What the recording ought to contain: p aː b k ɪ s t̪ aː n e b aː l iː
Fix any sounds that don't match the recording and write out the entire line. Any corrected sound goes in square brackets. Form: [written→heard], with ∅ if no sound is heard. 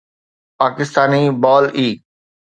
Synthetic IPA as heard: p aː [b→∅] k ɪ s t̪ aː n [e→i] b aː l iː